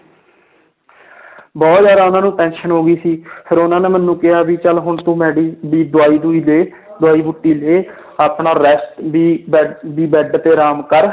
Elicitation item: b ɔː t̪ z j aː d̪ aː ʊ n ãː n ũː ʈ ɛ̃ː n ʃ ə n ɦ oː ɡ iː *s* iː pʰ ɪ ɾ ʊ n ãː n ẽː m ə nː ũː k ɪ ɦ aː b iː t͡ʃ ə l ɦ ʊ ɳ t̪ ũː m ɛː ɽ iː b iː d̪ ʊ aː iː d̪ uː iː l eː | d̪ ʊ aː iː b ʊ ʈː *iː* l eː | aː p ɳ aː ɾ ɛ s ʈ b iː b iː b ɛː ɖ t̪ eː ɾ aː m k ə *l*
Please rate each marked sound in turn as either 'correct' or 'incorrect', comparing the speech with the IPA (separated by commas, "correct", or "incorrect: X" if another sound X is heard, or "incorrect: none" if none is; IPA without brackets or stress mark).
correct, correct, incorrect: ɾ